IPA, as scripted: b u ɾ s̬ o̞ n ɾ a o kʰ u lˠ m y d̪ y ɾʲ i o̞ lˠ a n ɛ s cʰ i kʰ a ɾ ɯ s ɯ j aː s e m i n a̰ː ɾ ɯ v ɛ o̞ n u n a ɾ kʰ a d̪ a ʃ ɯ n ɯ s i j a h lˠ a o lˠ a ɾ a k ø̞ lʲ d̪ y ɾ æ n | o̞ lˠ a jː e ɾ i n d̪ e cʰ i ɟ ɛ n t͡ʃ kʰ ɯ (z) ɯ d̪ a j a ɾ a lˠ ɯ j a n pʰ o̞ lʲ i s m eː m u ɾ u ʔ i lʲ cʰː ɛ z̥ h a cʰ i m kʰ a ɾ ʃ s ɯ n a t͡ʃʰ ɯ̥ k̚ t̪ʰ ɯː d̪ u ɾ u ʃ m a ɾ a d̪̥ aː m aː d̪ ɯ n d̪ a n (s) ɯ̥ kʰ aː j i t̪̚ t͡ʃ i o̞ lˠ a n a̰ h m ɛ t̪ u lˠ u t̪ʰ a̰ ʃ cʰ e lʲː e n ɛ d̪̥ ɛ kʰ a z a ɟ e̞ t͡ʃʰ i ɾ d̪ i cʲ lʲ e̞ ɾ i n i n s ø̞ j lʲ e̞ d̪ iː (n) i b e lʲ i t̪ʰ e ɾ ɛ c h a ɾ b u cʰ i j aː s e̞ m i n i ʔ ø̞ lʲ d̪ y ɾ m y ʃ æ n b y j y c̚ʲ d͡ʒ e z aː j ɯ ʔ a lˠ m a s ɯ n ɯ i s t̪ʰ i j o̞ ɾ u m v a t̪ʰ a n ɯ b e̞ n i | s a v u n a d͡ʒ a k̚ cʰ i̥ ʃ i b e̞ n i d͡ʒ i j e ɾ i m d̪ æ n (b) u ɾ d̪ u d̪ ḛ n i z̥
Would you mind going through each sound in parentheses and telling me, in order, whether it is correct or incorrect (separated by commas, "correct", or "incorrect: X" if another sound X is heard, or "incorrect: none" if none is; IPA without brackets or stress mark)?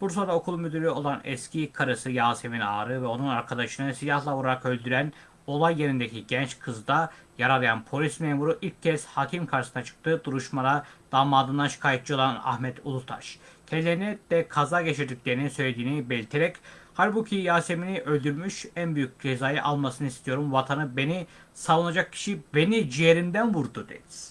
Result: correct, incorrect: ʃ, correct, incorrect: v